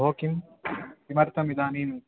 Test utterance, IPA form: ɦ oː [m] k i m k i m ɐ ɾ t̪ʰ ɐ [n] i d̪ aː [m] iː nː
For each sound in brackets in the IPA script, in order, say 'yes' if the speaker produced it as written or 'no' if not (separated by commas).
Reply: no, no, no